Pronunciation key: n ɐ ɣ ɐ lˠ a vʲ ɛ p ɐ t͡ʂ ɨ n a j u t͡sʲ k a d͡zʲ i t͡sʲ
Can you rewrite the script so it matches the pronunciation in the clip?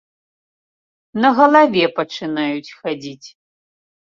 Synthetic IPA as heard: n ɐ ɣ ɐ lˠ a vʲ ɛ p ɐ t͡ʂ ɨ n a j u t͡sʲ x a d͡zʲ i t͡sʲ